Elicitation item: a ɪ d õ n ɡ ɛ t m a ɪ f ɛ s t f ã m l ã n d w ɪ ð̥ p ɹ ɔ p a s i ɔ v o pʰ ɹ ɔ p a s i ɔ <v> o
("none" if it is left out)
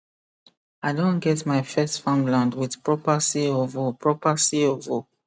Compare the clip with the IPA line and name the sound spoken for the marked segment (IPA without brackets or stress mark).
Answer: v